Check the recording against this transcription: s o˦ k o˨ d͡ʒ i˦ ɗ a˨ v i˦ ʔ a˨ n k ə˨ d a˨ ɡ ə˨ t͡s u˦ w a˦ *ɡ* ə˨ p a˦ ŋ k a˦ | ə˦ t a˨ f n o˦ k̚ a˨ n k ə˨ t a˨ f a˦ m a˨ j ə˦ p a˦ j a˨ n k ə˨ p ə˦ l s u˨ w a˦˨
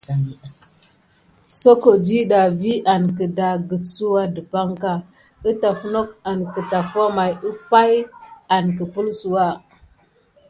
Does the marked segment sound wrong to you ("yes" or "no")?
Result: yes